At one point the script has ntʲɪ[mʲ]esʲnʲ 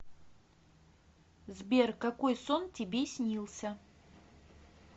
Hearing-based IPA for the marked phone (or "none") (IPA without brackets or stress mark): bʲ